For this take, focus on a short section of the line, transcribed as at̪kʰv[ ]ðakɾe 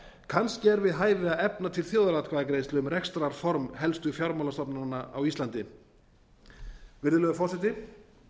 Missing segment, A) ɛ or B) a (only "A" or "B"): B